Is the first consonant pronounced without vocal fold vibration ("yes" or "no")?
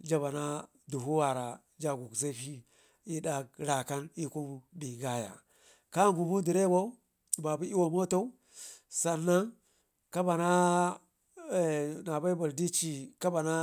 no